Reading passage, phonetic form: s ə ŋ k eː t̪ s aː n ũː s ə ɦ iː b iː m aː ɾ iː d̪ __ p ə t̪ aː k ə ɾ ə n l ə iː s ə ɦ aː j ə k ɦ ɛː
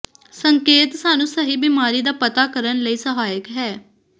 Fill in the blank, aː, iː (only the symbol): aː